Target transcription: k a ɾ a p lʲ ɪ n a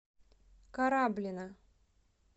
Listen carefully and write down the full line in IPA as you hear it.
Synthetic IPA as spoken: k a ɾ a b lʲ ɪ n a